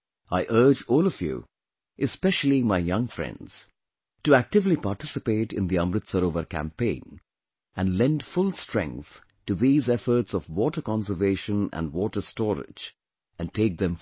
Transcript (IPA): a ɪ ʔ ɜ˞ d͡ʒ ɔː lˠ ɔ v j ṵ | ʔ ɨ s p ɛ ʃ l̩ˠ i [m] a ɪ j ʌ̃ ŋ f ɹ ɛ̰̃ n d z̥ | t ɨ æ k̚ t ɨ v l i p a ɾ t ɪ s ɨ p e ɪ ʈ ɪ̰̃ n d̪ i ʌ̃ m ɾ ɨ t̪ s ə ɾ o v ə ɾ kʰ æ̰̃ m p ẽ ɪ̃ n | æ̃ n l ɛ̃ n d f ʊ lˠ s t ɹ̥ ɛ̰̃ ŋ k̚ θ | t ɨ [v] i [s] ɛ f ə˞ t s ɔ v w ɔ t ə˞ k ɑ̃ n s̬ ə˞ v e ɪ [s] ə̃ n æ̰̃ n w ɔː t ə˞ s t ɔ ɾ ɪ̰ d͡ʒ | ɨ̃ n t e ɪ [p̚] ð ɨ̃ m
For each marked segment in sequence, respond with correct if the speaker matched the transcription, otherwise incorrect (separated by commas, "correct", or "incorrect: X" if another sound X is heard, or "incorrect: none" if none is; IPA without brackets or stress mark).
correct, incorrect: ð, incorrect: z, incorrect: ʃ, incorrect: k̚